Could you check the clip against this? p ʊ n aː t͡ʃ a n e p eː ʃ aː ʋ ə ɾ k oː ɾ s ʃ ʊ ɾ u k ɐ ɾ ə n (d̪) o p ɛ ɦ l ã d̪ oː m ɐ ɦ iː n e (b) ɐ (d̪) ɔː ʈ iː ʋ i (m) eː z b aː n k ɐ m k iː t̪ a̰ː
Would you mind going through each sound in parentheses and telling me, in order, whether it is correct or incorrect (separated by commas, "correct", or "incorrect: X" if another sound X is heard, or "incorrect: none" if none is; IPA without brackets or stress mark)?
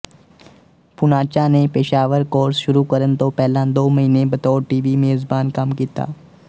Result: incorrect: t̪, correct, incorrect: t̪, correct